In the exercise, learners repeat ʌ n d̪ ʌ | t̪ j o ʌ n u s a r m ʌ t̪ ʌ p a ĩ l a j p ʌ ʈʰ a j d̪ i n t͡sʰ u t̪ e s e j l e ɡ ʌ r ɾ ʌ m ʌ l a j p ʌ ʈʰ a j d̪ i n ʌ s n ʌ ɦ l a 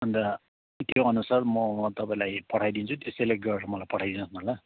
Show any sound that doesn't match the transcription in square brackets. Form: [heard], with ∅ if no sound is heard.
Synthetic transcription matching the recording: ʌ n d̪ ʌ | t̪ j o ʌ n u s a r m ʌ t̪ ʌ p a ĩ l a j p ʌ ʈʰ a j d̪ i n t͡sʰ u t̪ e s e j l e ɡ ʌ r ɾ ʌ m ʌ l a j p ʌ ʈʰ a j d̪ i n ʌ s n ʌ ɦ l a